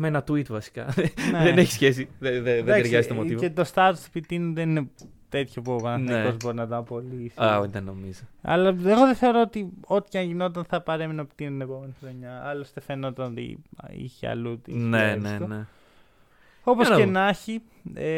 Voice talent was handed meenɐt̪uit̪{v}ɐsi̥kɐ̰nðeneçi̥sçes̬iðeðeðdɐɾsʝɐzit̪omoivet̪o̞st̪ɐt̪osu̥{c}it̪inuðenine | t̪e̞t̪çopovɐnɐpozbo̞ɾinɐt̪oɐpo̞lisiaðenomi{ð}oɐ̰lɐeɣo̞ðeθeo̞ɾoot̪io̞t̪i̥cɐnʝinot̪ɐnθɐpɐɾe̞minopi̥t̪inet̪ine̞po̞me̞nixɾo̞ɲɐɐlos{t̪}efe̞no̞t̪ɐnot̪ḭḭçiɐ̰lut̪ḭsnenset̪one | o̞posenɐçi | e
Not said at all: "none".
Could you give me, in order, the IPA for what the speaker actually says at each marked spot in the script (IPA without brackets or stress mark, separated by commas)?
v, p, z, t̪